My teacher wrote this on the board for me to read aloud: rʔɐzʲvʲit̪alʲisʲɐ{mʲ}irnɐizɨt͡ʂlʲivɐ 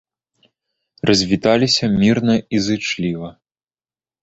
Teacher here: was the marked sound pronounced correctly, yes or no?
yes